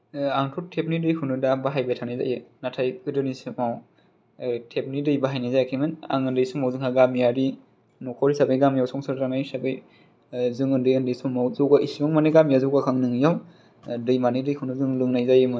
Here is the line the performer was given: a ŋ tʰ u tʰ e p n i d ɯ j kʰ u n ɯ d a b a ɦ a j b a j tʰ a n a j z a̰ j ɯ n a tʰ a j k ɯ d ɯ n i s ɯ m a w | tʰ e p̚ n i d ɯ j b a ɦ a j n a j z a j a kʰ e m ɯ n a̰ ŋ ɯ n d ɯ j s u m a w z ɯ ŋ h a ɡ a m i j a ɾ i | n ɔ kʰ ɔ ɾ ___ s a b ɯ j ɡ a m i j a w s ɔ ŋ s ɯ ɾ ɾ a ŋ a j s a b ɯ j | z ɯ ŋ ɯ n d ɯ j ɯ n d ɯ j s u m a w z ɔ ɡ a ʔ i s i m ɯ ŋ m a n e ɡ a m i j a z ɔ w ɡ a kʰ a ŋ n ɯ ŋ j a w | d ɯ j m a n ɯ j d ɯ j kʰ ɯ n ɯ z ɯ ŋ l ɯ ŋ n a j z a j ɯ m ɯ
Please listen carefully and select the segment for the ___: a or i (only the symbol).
i